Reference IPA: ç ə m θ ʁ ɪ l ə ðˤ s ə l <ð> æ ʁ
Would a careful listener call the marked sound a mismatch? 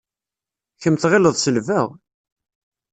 yes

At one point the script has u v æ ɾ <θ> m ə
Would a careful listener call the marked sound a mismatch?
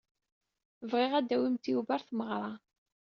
no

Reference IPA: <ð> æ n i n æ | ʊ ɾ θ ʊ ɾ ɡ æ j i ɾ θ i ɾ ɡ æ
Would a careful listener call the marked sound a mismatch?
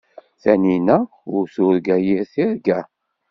yes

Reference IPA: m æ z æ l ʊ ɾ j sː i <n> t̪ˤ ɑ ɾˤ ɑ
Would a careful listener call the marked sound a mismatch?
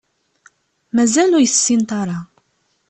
no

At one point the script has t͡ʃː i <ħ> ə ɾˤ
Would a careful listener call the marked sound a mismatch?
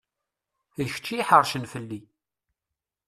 no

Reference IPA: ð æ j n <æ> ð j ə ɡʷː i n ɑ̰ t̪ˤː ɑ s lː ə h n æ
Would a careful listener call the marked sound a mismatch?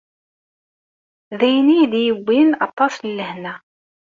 yes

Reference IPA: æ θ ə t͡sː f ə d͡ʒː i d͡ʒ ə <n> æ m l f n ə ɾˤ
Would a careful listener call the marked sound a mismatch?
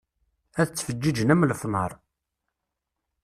no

